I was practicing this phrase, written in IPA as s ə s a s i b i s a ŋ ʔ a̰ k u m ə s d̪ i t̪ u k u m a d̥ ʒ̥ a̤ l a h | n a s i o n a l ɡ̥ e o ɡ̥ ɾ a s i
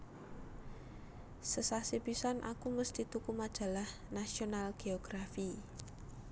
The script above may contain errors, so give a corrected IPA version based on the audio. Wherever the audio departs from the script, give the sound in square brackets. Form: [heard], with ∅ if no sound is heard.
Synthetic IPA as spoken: s ə s a s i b i s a [n] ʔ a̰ k u m ə s [t̪] i t̪ u k u m a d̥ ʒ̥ a̤ l a h | n a s i o n a l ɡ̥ e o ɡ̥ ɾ a [f] i